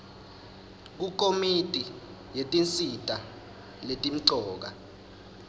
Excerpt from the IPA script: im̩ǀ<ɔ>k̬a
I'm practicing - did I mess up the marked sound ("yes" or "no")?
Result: yes